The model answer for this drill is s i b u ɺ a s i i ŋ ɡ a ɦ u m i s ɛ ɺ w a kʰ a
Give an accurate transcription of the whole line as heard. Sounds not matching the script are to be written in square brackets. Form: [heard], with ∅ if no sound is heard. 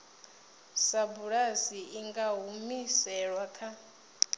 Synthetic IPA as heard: s [a] b u ɺ a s i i ŋ ɡ a ɦ u m i s ɛ ɺ w a kʰ a